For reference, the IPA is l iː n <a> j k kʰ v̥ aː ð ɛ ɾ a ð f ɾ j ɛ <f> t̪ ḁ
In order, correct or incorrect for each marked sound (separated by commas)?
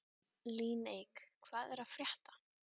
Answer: incorrect, incorrect